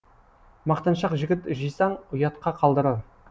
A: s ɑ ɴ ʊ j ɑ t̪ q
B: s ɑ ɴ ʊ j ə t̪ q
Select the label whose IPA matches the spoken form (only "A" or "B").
A